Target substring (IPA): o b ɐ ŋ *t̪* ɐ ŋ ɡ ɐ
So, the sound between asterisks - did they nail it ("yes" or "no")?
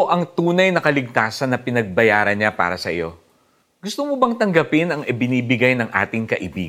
yes